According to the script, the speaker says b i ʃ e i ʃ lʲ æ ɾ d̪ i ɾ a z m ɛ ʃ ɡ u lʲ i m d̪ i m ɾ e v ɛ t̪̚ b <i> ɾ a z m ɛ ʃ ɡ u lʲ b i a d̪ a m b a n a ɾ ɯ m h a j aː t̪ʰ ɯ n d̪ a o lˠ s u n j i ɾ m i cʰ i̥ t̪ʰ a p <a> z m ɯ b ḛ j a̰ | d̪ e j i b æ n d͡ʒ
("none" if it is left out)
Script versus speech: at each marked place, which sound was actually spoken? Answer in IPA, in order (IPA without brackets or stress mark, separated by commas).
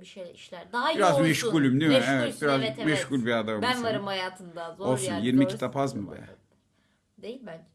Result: i, a